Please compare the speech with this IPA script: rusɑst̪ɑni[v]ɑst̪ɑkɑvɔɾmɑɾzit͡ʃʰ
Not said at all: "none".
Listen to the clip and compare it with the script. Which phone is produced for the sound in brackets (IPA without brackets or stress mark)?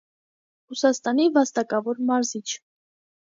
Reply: v